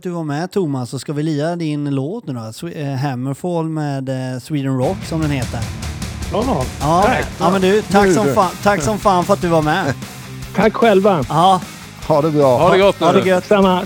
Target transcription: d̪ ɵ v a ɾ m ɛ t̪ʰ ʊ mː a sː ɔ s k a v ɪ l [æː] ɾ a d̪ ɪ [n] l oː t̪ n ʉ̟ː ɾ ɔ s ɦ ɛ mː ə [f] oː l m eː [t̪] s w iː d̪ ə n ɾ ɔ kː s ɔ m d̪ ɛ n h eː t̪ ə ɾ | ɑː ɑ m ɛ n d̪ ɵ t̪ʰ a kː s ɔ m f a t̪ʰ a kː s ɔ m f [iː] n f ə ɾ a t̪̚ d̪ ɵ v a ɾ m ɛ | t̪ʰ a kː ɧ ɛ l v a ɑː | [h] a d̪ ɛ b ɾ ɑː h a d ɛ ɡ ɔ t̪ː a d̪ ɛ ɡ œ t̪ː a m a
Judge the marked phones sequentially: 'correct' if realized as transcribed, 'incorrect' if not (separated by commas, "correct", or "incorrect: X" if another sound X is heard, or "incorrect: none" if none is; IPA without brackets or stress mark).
incorrect: iː, correct, correct, incorrect: d̪, incorrect: aː, correct